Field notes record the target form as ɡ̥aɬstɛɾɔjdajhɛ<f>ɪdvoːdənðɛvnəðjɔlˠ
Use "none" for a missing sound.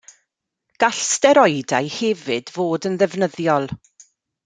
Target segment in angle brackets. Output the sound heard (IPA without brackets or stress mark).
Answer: v